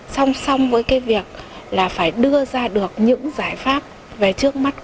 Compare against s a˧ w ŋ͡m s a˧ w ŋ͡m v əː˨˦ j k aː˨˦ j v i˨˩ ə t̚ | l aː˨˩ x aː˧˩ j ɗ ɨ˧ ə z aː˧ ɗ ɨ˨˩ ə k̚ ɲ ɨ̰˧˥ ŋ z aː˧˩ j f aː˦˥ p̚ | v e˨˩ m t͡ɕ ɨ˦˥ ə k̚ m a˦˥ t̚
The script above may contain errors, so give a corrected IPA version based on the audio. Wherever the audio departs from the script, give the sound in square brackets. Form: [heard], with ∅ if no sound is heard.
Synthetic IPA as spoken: s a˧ w ŋ͡m s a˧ w ŋ͡m v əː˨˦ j k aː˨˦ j v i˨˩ ə [k̚] | l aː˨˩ [f] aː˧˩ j ɗ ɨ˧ ə z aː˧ ɗ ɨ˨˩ ə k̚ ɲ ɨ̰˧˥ ŋ z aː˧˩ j f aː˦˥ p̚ | v e˨˩ [∅] t͡ɕ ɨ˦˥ ə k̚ m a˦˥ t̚